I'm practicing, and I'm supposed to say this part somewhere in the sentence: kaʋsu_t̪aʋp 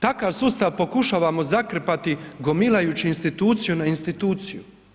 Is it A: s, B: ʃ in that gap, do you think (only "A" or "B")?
A